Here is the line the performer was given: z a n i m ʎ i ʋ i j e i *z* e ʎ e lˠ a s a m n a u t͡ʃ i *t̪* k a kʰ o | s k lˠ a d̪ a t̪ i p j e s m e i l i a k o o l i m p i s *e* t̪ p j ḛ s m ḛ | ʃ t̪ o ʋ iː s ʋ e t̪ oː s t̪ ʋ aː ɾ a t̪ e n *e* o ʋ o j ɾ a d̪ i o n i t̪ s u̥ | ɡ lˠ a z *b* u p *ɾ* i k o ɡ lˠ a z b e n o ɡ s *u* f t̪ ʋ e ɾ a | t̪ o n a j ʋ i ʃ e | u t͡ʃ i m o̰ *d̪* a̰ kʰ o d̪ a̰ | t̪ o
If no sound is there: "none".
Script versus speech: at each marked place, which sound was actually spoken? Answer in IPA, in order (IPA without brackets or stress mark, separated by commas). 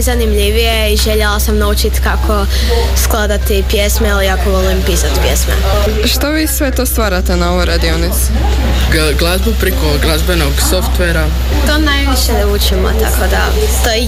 ʒ, t̪, a, a, b, ɾ, o, t̪